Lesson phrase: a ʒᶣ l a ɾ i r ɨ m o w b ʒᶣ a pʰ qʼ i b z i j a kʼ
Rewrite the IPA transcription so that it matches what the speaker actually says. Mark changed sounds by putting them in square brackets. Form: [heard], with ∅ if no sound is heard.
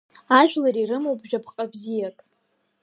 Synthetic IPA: a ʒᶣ l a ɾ i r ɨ m o w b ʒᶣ a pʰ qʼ [a] b z i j a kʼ